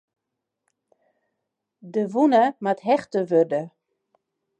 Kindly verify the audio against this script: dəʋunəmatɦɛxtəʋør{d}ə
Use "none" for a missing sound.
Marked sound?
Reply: d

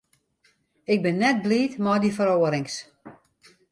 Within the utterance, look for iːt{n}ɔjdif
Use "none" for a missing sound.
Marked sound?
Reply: m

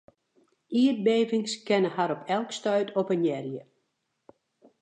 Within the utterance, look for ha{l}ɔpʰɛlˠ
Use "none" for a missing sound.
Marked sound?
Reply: ɾ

